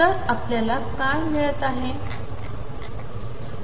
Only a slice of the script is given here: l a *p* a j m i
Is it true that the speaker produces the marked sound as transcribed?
no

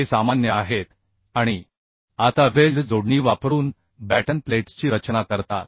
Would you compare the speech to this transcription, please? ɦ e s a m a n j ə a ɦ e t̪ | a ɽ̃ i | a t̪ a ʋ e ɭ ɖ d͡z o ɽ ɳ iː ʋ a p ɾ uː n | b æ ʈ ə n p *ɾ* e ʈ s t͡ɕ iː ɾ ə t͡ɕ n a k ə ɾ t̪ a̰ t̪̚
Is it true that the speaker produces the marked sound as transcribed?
no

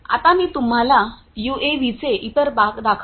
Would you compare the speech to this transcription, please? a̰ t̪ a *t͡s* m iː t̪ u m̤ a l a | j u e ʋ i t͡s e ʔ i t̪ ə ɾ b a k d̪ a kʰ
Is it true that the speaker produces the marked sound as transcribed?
no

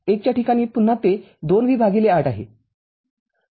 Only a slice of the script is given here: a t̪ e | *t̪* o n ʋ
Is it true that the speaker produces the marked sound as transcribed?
no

